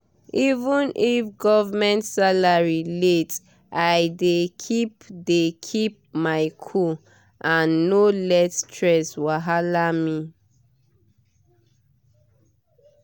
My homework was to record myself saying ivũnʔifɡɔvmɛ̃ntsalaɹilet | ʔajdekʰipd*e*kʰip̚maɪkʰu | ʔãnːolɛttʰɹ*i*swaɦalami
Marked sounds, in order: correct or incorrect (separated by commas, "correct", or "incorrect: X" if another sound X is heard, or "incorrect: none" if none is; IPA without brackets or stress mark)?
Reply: correct, incorrect: ɛ